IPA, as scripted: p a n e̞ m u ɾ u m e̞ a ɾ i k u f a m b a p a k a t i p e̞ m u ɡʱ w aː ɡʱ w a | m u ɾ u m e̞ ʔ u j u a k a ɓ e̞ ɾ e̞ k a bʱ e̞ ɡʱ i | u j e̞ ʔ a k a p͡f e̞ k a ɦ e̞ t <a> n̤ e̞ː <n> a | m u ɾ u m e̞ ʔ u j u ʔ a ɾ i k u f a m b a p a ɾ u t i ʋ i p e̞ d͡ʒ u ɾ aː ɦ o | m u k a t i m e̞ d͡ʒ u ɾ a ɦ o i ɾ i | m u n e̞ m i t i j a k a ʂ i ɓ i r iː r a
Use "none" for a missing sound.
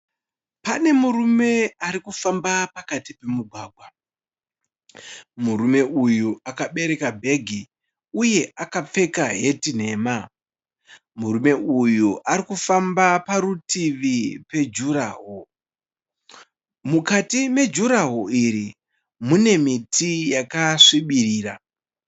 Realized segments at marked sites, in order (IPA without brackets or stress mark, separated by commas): i, m